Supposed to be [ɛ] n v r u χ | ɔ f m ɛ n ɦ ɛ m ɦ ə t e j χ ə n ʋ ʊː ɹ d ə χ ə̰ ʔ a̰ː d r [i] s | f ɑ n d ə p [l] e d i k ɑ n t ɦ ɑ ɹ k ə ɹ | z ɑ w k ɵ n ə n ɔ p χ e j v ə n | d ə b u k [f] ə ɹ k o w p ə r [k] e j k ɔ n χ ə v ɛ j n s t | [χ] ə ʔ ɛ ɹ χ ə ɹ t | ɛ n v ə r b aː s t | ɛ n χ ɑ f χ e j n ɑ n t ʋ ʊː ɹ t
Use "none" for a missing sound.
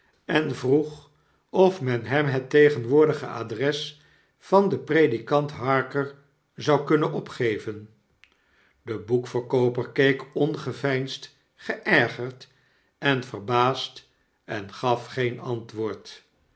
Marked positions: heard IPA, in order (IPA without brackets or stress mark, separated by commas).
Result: ɛ, ɛ, r, f, k, χ